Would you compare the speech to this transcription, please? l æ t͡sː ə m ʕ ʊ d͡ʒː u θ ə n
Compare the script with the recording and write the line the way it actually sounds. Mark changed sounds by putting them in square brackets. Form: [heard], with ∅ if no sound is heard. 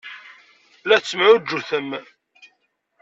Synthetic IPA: l æ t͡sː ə m ʕ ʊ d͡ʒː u θ ə [m]

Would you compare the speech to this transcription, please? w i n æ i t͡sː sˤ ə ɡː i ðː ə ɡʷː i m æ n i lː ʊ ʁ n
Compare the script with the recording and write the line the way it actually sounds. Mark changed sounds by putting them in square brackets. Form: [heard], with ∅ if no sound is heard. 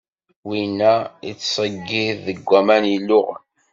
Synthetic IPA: w i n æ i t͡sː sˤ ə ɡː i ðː ə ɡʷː [æ] m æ n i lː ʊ ʁ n

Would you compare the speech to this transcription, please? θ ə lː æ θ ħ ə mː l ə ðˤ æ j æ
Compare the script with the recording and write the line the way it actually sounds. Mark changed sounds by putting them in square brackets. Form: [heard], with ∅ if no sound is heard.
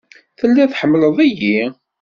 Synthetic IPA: θ ə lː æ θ ħ ə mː l ə ðˤ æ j [i]

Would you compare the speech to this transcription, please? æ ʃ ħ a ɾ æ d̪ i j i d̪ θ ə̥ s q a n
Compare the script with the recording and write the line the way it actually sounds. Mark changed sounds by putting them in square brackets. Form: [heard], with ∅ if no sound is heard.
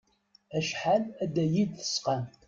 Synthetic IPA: æ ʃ ħ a [l] æ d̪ [æ] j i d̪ θ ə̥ s q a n

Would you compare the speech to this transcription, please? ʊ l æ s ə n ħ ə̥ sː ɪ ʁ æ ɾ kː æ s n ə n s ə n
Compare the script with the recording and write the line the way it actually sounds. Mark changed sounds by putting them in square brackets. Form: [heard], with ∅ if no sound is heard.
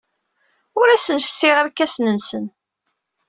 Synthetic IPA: ʊ [ɾ] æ s ə n [f] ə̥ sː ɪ ʁ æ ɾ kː æ s n ə n s ə n

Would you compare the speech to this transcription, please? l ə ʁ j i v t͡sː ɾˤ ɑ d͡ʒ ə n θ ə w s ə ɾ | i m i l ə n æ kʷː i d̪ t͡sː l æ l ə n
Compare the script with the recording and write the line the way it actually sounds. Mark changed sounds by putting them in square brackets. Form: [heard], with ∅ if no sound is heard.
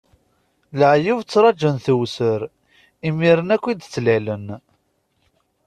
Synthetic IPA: l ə [ʕ] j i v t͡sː ɾˤ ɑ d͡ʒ ə n θ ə w s ə ɾ | i m i [ɾ] ə n æ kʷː i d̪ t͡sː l æ l ə n

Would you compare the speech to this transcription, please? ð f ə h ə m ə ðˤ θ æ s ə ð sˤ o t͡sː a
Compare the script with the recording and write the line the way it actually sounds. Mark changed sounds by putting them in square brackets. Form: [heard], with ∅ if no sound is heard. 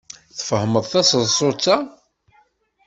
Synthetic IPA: [θ] f ə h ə m ə ðˤ θ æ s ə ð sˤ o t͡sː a

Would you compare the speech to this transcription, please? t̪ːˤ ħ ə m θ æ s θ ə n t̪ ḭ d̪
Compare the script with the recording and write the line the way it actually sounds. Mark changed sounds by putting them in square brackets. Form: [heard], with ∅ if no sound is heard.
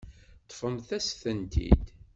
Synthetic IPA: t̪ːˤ [f] ə m θ æ s θ ə n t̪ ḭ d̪

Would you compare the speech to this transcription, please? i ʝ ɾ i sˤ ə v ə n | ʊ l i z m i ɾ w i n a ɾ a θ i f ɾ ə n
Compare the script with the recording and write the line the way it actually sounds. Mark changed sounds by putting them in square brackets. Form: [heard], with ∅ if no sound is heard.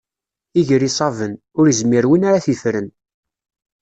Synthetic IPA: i ʝ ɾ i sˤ [ɑ] v ə n | ʊ [ɾ] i z m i ɾ w i n a ɾ a θ i f ɾ ə n

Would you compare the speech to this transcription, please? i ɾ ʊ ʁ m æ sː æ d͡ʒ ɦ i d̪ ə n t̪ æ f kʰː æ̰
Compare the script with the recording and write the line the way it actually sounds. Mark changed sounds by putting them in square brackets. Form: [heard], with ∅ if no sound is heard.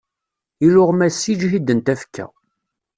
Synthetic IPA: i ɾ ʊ ʁ m æ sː [i] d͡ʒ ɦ i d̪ ə n t̪ æ f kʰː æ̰

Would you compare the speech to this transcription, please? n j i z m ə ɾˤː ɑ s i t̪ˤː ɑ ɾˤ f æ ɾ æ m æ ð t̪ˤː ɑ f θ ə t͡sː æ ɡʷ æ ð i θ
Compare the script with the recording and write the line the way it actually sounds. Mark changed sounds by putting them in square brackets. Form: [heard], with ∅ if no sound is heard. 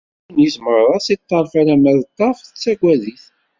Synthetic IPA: n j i z m ə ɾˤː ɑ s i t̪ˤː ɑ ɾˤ f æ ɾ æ m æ ð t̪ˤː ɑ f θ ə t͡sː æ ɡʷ æ ð i θ

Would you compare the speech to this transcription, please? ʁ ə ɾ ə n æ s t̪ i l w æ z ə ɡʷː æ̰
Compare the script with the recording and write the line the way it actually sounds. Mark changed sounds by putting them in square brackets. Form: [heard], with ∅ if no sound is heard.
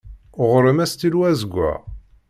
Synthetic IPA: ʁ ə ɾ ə [m] æ s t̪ i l w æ z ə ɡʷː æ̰

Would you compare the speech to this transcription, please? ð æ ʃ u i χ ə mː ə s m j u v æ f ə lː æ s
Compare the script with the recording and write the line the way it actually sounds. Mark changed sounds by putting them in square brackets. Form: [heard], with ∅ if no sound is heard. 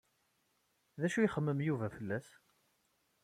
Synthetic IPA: ð æ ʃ u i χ ə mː ə [∅] m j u v æ f ə lː æ s

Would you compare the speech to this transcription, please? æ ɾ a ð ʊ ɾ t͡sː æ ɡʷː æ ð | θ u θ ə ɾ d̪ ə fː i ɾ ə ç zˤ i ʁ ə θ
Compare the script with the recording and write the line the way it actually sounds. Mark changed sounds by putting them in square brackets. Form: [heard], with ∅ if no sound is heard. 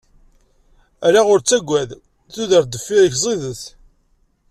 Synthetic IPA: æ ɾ a [ʁ] ʊ ɾ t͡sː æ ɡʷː æ ð | θ u [ð] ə ɾ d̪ ə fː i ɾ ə ç zˤ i [ð] ə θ

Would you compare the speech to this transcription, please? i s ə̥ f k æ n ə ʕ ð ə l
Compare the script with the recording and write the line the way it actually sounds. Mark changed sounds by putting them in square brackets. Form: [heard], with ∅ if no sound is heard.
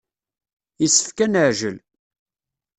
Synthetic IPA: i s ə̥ f k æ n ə ʕ [ʒ] ə l

